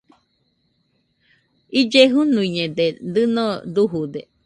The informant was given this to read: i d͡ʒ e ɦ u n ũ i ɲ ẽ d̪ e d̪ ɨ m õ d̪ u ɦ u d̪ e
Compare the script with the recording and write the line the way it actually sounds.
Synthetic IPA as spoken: i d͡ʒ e ɦ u n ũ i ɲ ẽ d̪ e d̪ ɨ n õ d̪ u ɦ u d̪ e